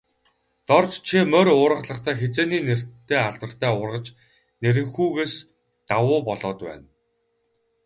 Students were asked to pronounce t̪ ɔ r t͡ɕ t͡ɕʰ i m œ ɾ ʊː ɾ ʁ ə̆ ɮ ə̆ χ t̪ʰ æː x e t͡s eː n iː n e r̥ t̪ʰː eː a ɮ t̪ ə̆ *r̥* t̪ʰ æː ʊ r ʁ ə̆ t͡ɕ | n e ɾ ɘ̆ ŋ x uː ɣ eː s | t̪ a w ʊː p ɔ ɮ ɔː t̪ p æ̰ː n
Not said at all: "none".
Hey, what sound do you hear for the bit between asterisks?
r̥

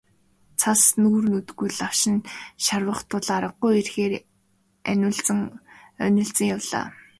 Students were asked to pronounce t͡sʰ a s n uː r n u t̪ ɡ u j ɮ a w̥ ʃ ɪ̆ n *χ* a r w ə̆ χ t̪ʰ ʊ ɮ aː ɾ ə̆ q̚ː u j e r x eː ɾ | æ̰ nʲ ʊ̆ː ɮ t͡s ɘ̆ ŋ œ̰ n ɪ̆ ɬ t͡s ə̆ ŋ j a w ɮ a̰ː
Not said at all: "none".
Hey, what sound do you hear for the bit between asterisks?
ʃ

